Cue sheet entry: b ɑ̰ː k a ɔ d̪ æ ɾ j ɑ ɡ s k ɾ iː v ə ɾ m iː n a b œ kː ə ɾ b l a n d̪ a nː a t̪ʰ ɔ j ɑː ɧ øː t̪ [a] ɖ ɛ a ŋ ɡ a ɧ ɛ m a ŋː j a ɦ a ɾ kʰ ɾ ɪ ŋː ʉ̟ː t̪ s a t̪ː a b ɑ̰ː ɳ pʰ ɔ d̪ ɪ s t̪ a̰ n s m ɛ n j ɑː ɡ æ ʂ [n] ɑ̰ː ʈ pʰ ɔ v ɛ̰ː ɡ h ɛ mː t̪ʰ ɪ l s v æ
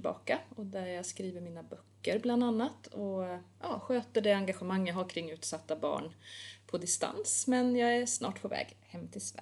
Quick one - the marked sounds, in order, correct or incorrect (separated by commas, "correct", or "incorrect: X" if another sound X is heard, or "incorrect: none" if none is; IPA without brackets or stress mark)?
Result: incorrect: ə, correct